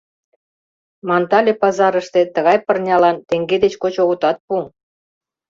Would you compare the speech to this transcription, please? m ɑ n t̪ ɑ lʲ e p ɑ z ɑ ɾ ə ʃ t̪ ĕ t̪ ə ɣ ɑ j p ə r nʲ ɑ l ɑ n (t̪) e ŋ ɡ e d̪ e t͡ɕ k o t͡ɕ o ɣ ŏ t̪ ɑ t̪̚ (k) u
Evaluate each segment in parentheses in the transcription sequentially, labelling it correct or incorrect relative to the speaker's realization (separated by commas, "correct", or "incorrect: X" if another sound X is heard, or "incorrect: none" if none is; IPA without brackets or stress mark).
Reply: correct, incorrect: p